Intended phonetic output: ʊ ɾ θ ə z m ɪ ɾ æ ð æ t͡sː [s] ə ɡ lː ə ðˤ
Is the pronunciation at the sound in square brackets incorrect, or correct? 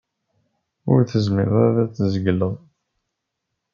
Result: incorrect